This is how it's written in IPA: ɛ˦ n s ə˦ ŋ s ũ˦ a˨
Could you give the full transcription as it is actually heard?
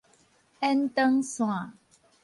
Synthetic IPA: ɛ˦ n t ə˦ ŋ s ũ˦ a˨